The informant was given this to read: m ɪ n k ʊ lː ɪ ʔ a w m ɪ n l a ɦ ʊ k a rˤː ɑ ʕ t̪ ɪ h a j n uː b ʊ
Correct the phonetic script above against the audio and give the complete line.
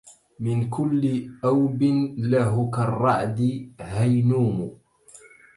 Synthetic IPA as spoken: m ɪ n k ʊ lː ɪ ʔ a w b ɪ n l a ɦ ʊ k a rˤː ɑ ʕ d̪ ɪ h a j n uː m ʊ